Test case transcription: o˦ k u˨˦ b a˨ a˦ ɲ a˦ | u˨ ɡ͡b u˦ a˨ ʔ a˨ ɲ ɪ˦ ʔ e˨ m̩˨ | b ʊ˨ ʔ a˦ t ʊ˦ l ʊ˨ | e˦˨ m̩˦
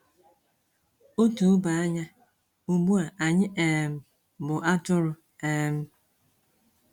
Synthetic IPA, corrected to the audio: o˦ t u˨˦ b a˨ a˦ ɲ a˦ | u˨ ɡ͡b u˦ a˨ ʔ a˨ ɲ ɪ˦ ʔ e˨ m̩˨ | b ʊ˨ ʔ a˦ t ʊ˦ ɾ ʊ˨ | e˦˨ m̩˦